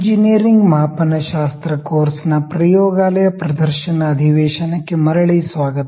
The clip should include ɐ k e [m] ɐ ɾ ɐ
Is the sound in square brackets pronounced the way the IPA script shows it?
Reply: yes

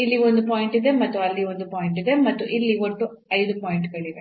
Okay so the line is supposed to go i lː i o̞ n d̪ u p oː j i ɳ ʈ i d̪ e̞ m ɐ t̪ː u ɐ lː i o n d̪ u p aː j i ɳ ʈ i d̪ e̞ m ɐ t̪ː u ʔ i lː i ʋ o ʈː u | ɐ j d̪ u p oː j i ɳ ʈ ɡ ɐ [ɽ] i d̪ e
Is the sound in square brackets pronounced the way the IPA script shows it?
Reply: no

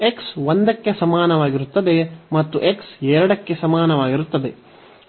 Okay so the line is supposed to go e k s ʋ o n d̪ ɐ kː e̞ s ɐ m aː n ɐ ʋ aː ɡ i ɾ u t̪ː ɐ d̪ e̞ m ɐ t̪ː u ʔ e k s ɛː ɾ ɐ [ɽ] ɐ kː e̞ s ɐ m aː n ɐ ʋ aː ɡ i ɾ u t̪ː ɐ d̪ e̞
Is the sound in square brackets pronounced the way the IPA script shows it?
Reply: yes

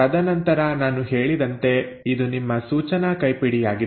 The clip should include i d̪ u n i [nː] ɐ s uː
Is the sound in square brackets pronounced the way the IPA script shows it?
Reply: no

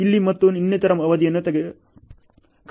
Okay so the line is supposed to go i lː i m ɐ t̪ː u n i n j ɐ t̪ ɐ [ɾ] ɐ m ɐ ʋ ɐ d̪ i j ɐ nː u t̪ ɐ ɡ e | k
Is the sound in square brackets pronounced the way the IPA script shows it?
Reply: yes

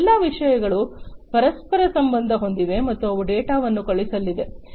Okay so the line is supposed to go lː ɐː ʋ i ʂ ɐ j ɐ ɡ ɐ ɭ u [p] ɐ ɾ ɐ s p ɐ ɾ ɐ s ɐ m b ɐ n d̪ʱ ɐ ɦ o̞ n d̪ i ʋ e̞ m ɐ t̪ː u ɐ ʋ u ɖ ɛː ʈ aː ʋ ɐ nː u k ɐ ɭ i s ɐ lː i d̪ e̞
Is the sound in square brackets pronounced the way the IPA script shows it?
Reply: yes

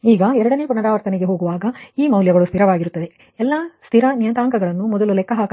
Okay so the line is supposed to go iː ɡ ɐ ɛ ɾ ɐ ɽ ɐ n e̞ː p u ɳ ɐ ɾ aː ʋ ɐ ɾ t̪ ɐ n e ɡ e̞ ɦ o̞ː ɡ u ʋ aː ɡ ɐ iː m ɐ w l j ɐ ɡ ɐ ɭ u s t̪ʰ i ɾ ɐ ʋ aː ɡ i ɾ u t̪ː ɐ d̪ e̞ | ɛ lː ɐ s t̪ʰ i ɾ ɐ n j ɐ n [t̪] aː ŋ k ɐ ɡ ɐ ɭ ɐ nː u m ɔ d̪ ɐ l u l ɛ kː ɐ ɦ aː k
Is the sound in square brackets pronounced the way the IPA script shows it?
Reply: yes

